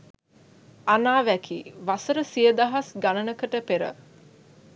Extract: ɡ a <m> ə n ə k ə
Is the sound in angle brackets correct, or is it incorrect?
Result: incorrect